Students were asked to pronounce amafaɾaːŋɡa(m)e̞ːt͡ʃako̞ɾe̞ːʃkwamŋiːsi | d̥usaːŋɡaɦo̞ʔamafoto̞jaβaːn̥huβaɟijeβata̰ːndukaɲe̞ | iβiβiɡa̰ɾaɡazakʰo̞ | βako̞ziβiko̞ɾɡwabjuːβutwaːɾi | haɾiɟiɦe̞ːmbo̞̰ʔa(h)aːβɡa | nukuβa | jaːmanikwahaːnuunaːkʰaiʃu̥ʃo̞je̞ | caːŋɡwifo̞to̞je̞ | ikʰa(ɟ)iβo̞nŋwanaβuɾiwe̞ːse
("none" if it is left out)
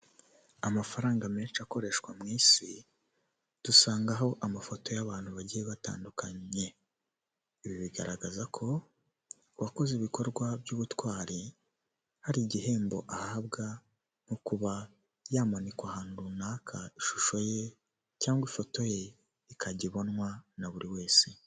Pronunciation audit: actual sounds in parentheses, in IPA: m, h, ɟ

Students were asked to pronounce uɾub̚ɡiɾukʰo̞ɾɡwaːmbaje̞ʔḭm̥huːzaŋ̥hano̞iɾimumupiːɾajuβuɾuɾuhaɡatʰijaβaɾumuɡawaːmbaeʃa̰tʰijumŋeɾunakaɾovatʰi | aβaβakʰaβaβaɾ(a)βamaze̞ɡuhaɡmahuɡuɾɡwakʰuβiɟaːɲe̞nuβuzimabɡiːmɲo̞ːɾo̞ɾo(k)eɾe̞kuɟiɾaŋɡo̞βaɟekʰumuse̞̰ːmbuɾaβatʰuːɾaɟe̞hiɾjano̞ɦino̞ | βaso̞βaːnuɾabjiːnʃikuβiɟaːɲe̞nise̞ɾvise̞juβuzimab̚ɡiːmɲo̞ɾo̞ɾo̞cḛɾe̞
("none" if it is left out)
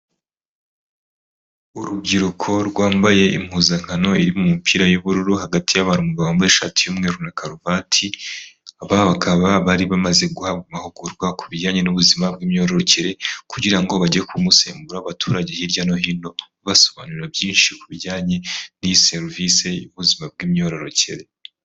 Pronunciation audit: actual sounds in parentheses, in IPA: i, c

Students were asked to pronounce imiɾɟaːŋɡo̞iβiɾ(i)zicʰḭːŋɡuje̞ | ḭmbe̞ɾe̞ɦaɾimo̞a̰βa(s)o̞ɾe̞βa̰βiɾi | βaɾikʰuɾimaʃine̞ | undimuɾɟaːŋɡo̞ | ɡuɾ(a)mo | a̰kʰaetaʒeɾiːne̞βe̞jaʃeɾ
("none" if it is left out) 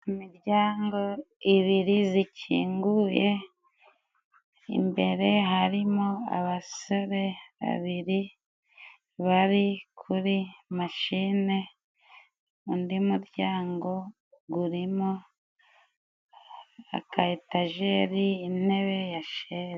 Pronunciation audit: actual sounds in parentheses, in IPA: i, s, i

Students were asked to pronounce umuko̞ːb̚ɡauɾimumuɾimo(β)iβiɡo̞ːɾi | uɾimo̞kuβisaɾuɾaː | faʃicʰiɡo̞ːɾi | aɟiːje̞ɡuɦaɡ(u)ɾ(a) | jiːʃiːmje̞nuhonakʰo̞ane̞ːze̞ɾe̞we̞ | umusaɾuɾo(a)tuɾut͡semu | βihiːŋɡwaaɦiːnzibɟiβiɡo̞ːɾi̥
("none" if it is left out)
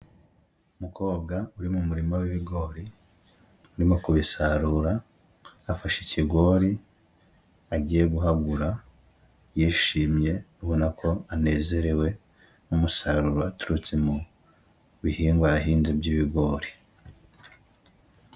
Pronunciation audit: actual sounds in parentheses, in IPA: w, u, a, a

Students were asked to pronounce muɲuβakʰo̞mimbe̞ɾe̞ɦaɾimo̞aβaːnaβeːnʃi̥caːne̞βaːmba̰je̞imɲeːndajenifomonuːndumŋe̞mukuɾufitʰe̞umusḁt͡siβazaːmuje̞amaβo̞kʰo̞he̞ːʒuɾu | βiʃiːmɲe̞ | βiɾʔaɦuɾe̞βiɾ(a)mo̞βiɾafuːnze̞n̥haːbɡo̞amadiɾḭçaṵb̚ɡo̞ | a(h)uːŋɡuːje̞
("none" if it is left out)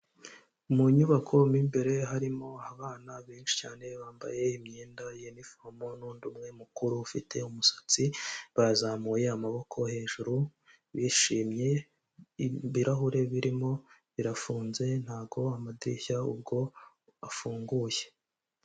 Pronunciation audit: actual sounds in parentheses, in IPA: i, f

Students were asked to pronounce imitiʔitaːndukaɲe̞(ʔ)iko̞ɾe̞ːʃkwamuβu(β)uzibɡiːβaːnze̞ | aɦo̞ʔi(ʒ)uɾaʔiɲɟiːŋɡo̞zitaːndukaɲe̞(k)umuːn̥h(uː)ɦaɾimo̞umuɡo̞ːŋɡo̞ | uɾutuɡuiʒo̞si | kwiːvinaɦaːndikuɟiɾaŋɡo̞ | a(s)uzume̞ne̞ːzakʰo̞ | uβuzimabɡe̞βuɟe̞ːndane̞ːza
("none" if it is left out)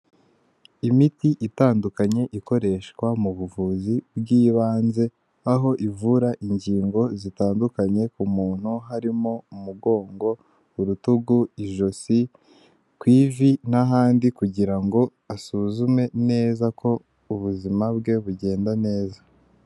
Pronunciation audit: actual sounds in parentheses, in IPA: ʔ, v, v, k, u, s

